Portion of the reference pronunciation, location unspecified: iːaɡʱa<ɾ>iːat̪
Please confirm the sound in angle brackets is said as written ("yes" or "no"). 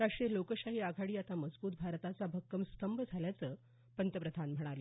no